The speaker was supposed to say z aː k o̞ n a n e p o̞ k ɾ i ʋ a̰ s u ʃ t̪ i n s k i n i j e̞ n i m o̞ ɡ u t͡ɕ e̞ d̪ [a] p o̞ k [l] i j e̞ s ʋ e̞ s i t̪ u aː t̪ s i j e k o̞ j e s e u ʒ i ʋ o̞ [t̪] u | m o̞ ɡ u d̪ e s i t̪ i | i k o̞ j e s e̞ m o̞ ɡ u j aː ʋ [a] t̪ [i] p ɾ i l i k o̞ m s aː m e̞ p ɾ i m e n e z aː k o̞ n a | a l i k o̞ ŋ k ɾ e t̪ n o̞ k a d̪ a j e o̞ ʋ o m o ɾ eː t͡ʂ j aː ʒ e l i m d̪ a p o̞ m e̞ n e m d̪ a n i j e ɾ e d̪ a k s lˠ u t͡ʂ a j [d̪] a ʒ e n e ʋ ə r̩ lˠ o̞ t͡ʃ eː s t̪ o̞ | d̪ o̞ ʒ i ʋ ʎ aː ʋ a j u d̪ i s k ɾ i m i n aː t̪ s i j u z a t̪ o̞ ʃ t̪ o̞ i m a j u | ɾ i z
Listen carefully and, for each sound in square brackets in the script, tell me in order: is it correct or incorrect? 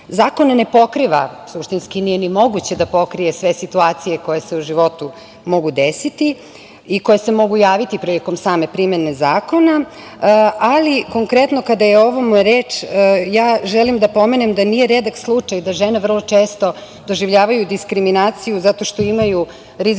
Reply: correct, incorrect: ɾ, correct, incorrect: i, correct, correct

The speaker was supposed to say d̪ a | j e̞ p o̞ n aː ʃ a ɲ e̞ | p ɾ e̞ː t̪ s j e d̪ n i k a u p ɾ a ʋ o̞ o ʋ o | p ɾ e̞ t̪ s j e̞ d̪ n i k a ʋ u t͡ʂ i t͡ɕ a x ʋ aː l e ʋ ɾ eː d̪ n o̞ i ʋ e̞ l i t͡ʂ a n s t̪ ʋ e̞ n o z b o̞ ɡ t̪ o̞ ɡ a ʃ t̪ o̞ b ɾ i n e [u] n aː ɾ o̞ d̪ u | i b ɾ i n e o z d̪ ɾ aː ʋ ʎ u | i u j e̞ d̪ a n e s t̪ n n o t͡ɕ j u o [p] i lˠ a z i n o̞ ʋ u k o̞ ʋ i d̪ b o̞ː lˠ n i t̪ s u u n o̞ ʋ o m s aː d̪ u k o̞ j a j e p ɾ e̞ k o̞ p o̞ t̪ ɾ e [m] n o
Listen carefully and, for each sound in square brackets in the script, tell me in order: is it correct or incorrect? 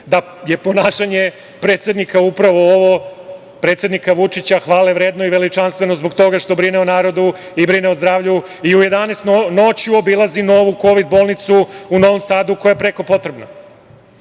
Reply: incorrect: o, incorrect: b, incorrect: b

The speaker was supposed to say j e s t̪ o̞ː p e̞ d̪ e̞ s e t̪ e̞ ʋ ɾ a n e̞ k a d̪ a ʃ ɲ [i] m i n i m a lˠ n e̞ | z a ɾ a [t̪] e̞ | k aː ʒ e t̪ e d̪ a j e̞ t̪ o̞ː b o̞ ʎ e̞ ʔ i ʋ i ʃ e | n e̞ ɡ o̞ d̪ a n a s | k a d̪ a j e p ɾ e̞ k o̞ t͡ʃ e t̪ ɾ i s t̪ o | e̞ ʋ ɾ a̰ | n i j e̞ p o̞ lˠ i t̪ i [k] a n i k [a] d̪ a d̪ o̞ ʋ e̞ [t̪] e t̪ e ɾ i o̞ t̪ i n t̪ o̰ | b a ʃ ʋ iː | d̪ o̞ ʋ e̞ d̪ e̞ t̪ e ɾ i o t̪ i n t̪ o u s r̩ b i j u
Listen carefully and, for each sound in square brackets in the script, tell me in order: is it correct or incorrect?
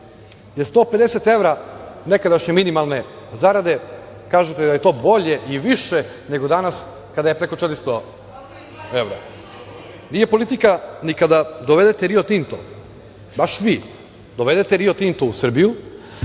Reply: incorrect: e, incorrect: d̪, correct, correct, incorrect: d̪

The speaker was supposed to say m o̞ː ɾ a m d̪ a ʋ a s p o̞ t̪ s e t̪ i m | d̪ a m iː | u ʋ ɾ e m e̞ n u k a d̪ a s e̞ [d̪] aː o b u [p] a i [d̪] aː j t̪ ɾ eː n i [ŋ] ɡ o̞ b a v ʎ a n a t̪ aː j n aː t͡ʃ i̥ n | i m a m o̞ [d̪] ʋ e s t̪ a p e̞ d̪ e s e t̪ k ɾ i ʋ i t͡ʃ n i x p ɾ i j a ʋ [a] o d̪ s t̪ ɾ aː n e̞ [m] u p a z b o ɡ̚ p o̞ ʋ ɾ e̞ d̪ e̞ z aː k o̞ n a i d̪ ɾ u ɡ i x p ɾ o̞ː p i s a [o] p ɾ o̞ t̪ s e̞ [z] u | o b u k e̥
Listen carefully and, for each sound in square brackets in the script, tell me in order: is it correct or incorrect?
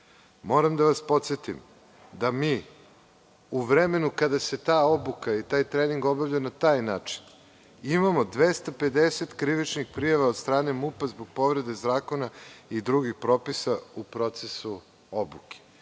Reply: incorrect: t̪, incorrect: k, incorrect: t̪, correct, correct, correct, correct, incorrect: u, incorrect: s

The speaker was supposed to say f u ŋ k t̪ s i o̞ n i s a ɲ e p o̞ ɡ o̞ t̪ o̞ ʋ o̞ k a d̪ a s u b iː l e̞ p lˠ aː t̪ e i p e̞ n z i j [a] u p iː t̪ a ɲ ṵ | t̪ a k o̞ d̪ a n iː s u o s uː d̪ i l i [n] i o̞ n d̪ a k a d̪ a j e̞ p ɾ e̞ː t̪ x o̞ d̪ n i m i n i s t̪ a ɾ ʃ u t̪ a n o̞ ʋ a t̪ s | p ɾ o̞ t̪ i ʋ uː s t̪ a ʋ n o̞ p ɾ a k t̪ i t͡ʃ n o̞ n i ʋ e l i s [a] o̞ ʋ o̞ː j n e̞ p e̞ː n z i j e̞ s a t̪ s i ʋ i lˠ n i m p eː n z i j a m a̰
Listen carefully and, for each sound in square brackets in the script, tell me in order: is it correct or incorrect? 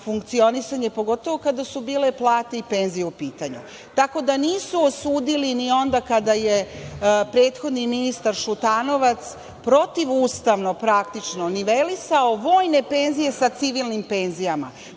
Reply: incorrect: e, correct, correct

